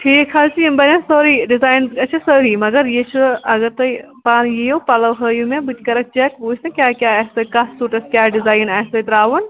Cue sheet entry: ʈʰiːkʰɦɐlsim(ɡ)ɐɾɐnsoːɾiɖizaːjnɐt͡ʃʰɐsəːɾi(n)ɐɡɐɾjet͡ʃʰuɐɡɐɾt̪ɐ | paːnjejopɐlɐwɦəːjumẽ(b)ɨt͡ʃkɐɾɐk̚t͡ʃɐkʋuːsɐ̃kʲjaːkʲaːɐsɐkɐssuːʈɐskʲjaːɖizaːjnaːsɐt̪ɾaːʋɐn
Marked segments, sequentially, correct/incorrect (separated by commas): incorrect, incorrect, correct